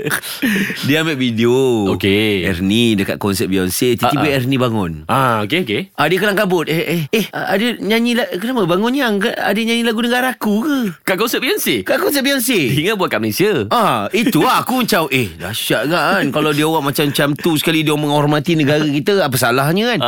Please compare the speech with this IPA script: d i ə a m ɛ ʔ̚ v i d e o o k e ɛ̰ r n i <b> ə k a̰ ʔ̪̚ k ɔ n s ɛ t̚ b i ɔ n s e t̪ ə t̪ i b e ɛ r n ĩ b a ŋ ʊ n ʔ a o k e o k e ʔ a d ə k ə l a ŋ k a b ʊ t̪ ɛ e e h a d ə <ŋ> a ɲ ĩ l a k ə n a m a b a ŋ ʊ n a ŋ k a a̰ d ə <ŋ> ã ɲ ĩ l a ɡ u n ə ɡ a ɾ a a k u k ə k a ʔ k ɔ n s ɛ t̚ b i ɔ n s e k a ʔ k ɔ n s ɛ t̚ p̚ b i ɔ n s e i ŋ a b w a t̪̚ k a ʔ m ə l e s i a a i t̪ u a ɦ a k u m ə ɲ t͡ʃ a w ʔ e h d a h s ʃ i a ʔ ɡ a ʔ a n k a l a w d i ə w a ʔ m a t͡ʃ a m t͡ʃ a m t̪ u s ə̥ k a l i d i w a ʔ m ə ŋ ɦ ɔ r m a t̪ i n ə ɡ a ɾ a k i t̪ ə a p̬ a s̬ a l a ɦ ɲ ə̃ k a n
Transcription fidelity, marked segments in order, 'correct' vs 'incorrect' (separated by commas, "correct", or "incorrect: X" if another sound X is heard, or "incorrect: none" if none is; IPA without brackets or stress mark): incorrect: d, incorrect: ɲ, incorrect: ɲ